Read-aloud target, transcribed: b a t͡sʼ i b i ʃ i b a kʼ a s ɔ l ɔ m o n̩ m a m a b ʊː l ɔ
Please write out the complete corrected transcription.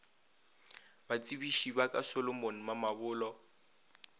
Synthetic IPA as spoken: b a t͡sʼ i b i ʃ i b a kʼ a s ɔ l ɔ m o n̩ m a m a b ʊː l ɔ